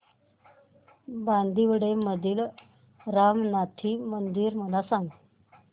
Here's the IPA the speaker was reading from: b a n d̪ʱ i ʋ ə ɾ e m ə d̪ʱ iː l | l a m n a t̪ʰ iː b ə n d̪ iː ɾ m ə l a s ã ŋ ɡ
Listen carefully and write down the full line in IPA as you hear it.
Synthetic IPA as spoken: b a n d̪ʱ i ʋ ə ɽ e m ə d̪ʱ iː l | ɾ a m n a t̪ʰ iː m ə n d̪ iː ɾ m ə l a s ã ŋ ɡ